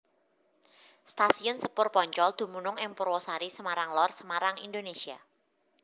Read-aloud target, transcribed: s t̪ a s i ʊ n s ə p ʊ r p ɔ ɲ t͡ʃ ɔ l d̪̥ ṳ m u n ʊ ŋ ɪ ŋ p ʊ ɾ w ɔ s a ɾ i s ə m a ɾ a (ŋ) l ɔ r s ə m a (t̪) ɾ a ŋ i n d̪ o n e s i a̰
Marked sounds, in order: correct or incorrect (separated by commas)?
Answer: correct, incorrect